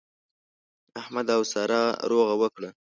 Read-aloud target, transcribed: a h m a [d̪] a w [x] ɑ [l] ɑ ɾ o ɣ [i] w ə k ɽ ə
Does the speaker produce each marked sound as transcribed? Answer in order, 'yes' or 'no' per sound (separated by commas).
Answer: yes, no, no, no